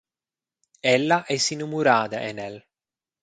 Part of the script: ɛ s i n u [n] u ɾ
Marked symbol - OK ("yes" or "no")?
no